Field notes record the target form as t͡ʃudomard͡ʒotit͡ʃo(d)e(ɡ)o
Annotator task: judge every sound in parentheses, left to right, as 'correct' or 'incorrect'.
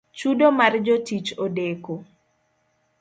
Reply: correct, incorrect: k

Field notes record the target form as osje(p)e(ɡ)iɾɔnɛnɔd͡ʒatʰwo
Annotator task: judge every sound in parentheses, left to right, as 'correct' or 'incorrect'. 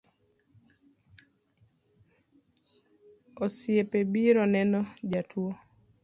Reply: correct, incorrect: b

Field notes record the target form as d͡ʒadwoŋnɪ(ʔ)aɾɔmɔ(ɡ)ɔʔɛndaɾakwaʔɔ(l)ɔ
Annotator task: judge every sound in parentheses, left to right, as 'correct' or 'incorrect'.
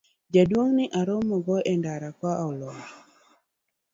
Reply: correct, correct, correct

